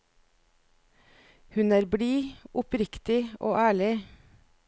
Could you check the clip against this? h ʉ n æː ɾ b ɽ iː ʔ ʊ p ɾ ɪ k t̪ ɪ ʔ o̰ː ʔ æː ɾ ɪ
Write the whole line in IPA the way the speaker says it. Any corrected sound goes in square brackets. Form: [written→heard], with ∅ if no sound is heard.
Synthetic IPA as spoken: h ʉ n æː ɾ b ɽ iː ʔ ʊ p ɾ ɪ k t̪ ɪ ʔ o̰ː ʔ æː [ɾ→ɭ] ɪ